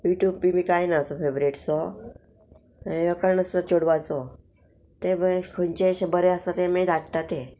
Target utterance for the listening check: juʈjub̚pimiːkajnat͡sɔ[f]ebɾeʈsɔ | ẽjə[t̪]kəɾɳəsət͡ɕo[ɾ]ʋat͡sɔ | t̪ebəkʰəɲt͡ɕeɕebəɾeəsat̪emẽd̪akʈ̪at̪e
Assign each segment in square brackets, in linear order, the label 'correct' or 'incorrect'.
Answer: correct, incorrect: none, incorrect: ɽ

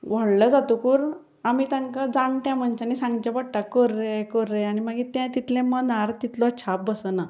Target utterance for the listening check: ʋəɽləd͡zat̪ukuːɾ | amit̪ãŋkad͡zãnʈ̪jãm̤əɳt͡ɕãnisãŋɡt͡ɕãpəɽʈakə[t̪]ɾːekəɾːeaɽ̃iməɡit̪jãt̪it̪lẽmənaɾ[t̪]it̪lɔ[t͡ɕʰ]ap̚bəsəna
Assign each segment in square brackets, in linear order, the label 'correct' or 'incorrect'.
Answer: incorrect: none, correct, correct

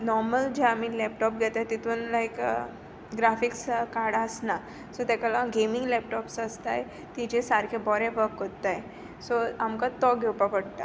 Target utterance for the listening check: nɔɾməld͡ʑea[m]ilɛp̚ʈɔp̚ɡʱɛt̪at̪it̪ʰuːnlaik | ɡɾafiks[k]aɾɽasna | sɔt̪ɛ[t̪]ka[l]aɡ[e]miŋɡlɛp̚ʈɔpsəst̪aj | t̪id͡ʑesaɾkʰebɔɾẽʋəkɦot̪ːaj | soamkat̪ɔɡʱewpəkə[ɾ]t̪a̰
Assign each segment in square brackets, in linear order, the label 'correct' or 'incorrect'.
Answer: correct, correct, incorrect: none, correct, correct, incorrect: ɽ

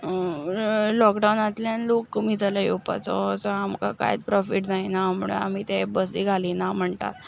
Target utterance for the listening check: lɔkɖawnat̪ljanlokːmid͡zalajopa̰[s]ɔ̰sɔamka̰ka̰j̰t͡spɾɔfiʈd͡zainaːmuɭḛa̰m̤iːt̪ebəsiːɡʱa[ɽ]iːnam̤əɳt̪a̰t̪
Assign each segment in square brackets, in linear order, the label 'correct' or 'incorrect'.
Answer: incorrect: t͡s, incorrect: l

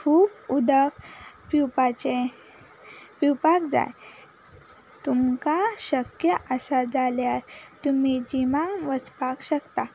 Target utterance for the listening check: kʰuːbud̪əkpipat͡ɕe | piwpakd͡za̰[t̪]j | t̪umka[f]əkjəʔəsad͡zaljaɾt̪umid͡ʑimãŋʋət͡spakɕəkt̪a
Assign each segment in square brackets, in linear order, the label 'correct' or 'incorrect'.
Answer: incorrect: none, incorrect: ɕ

